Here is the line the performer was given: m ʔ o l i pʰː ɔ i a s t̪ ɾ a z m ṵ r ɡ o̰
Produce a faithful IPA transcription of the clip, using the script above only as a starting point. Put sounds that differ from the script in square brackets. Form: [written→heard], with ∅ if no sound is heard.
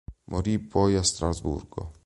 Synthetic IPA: m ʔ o [l→ɾ] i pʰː ɔ [i→j] a s t̪ ɾ a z [m→b] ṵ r ɡ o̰